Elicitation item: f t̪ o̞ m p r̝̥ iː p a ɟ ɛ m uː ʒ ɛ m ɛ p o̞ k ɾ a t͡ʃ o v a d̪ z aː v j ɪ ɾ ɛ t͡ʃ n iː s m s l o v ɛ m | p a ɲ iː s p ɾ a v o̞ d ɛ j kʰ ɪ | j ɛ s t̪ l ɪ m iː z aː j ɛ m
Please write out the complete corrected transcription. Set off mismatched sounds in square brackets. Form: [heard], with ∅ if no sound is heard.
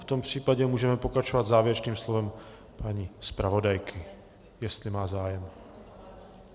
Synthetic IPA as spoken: f t̪ o̞ m p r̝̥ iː p a ɟ ɛ m uː ʒ ɛ m ɛ p o̞ k ɾ a t͡ʃ o v a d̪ z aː v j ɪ ɾ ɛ t͡ʃ n iː [∅] m s l o v ɛ m | p a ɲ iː s p ɾ a v o̞ d [a] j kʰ ɪ | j ɛ s t̪ l ɪ m [aː] z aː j ɛ m